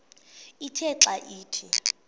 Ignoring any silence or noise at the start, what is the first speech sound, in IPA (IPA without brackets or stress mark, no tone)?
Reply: i